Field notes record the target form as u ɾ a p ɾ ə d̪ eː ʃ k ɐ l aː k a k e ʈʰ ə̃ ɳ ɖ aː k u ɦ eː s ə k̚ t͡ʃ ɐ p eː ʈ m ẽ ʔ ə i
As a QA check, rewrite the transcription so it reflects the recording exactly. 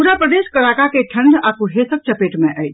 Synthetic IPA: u ɾ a p ɾ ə d̪ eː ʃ k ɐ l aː k a k e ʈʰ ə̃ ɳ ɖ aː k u ɦ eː s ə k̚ t͡ʃ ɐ p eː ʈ m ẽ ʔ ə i